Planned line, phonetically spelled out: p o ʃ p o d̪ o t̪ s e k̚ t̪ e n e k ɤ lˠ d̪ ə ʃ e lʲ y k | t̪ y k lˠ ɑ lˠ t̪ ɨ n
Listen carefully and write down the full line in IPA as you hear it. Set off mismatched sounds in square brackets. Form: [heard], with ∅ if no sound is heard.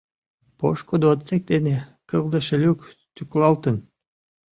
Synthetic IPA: p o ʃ [k] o d̪ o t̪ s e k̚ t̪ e n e k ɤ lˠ d̪ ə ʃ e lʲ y k | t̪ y k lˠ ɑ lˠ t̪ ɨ n